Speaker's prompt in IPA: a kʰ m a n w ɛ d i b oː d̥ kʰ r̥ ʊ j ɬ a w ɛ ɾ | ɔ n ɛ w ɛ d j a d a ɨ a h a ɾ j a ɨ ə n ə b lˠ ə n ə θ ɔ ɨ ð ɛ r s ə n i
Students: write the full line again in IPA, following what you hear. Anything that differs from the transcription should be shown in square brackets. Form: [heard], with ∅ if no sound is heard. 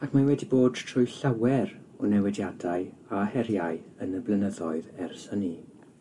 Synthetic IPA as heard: a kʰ m a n w ɛ d i b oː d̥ [tʰ] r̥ ʊ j ɬ a w ɛ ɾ | ɔ n ɛ w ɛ d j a d a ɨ a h [ɛ] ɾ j a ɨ ə n ə b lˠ ə n ə [ð] ɔ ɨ ð ɛ r s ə n i